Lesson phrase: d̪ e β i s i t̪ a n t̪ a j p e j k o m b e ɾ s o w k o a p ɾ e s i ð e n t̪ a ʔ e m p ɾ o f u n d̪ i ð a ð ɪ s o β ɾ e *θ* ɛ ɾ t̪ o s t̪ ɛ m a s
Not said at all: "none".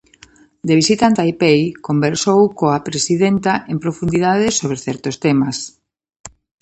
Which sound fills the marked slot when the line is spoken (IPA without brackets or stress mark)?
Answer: θ